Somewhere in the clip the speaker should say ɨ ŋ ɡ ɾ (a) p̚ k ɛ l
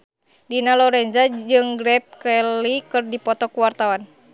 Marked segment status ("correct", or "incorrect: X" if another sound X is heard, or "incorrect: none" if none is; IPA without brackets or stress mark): incorrect: ɛ